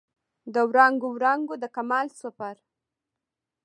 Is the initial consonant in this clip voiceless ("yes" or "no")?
no